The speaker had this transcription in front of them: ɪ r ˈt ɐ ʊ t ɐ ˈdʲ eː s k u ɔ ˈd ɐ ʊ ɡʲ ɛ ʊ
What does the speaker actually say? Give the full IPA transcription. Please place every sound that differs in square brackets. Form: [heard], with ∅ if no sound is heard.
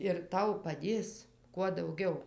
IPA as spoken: ɪ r ˈt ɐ ʊ [p] ɐ ˈdʲ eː s k u ɔ ˈd ɐ ʊ ɡʲ ɛ ʊ